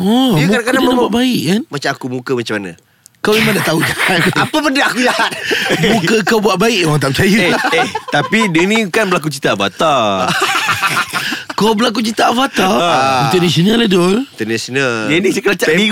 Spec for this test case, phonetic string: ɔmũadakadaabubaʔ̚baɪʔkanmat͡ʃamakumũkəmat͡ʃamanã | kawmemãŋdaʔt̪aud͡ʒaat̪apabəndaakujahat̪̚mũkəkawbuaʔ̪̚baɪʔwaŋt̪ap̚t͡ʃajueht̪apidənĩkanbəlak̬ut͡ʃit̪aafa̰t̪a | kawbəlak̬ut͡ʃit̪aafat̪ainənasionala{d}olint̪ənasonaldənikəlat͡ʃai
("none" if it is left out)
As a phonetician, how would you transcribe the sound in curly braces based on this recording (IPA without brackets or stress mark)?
d